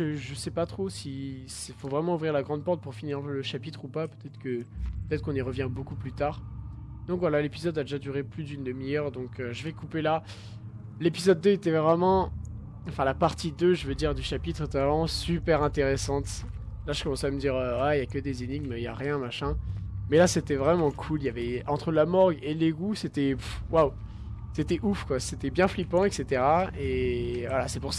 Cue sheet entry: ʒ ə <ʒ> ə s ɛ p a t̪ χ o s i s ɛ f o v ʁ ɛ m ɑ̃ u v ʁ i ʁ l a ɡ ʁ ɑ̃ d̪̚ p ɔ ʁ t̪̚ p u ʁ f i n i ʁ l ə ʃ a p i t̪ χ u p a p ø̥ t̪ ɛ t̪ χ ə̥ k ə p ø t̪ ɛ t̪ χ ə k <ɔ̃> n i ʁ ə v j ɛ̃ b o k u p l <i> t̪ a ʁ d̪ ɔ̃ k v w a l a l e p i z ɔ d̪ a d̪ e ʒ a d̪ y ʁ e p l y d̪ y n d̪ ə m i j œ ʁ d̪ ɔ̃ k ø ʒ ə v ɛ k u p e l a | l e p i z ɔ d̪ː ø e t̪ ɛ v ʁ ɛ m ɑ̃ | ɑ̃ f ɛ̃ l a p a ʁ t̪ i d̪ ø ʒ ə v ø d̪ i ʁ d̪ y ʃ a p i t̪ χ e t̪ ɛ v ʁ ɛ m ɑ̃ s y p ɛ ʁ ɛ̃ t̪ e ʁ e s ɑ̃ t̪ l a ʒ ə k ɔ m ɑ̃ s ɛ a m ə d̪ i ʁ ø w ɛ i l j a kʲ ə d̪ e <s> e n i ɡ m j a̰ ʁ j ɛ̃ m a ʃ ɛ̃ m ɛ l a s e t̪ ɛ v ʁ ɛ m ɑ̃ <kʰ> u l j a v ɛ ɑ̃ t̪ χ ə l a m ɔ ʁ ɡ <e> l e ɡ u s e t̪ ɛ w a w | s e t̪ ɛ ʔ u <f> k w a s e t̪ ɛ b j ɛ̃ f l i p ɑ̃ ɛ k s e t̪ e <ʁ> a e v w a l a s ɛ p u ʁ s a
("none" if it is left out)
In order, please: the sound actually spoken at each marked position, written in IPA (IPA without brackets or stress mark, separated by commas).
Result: ʒ, ɔ̃, y, z, kʰ, e, f, ʁ